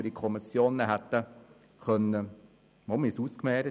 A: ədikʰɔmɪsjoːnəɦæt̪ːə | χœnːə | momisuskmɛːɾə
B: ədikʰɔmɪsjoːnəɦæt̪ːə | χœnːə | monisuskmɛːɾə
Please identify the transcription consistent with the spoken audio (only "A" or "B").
A